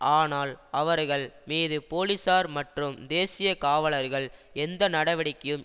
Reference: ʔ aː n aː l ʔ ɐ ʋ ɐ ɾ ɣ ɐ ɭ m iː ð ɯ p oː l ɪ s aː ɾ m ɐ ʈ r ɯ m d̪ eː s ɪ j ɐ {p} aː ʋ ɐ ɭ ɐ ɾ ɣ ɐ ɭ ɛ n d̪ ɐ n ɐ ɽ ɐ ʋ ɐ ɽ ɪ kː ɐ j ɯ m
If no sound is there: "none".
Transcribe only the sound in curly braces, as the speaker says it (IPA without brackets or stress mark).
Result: k